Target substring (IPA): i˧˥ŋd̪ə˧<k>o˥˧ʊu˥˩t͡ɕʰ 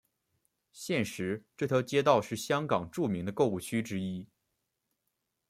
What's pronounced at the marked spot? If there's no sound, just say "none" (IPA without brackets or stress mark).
k